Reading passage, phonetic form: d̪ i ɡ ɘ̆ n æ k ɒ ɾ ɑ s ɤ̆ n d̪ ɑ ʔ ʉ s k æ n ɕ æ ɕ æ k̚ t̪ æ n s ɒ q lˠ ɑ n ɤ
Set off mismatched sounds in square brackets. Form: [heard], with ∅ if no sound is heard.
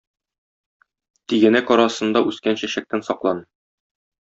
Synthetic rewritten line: [t̪] i ɡ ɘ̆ n æ k ɒ ɾ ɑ s ɤ̆ n d̪ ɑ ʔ ʉ s k æ n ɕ æ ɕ æ k̚ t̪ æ n s ɒ q lˠ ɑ n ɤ